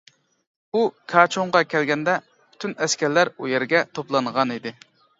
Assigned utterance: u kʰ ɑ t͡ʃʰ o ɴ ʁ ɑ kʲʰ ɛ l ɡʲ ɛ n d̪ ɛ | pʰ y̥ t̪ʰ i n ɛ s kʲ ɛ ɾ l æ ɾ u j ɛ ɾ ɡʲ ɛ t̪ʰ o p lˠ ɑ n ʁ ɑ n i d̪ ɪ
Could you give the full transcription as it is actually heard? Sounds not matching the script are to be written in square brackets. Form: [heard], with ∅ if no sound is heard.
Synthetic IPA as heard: u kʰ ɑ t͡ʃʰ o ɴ ʁ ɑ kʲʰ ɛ l ɡʲ ɛ n d̪ ɛ | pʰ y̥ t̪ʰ [y] n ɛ s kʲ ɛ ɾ l æ ɾ u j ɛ ɾ ɡʲ ɛ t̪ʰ o p lˠ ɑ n ʁ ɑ n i d̪ ɪ